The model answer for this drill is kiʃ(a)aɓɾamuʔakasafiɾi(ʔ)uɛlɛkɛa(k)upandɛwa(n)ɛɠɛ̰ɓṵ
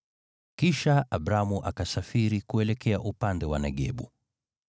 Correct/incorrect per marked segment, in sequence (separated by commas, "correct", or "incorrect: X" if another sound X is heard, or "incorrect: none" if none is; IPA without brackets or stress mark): correct, incorrect: k, incorrect: ʔ, correct